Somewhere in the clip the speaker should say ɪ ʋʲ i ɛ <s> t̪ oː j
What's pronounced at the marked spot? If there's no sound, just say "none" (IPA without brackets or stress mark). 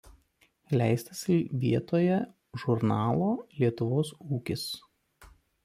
none